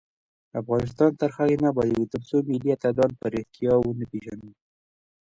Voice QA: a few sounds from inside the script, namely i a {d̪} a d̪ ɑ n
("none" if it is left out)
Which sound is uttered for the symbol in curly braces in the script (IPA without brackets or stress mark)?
t̪